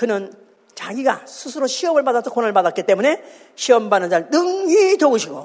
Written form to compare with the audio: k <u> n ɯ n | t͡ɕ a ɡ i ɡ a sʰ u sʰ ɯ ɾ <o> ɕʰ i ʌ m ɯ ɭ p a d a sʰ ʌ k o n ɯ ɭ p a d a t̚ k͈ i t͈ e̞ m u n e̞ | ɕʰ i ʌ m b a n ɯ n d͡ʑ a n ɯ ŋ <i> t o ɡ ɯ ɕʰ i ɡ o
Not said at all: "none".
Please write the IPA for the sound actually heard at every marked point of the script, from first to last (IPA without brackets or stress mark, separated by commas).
ɯ, o, i